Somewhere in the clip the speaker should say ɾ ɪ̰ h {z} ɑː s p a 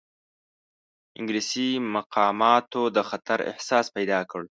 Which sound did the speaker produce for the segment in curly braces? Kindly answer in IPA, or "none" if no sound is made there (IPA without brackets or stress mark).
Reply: s